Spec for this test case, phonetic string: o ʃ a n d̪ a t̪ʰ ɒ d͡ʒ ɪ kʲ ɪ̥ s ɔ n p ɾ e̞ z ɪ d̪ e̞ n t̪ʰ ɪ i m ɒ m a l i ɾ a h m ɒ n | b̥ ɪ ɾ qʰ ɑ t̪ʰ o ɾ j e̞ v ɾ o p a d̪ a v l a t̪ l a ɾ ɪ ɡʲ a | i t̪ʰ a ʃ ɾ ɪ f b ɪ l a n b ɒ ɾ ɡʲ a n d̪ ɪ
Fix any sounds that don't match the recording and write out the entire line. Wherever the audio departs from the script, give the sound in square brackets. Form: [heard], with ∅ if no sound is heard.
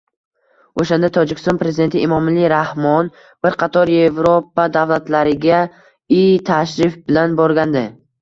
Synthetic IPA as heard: o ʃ a n d̪ a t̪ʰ ɒ d͡ʒ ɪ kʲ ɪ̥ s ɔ n p ɾ e̞ z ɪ d̪ e̞ n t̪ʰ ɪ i m ɒ m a l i ɾ a h m ɒ n | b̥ ɪ ɾ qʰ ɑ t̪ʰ [ɒ] ɾ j e̞ v ɾ o p a d̪ a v l a t̪ l a ɾ ɪ ɡʲ a | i t̪ʰ a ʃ ɾ ɪ f b ɪ l a n b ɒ ɾ ɡʲ a n d̪ ɪ